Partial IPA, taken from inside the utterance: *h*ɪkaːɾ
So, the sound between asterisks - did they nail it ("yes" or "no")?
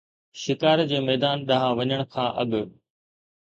no